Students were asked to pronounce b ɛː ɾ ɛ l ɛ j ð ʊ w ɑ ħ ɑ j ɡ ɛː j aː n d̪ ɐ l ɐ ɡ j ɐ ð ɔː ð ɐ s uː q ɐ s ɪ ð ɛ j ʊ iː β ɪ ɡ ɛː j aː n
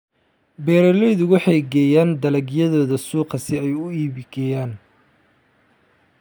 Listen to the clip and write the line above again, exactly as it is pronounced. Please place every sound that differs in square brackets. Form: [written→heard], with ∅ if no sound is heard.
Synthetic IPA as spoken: b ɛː ɾ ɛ l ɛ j ð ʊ w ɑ ħ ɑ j ɡ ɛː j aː n d̪ ɐ l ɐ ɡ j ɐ ð ɔː ð ɐ s uː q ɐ s ɪ [ð→∅] ɛ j ʊ iː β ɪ ɡ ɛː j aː n